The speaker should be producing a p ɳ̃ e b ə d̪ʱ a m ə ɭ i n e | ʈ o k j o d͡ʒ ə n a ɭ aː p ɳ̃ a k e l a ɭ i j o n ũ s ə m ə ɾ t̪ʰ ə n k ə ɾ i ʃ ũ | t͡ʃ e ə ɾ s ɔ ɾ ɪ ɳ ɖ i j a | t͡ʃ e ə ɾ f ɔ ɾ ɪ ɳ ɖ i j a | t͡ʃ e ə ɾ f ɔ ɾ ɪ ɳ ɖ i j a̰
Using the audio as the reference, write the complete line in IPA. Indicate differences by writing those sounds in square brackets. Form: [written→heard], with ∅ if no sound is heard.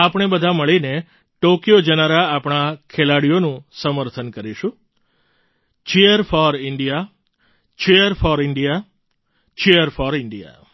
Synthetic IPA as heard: a p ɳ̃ e b ə d̪ʱ a m ə ɭ i n e | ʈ o k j o d͡ʒ ə n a [ɭ→ɾ] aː p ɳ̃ a [k→kʰ] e l a [ɭ→ɽ] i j o n ũ s ə m ə ɾ t̪ʰ ə n k ə ɾ i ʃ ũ | t͡ʃ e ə ɾ [s→f] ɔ ɾ ɪ ɳ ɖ i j a | t͡ʃ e ə ɾ f ɔ ɾ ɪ ɳ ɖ i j a | t͡ʃ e ə ɾ f ɔ ɾ ɪ ɳ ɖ i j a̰